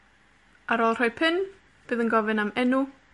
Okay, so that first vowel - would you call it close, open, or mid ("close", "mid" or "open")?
open